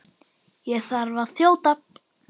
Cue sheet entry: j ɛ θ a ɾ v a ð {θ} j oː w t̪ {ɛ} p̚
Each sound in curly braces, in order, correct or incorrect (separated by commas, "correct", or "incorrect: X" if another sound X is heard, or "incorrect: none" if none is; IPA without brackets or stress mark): correct, incorrect: a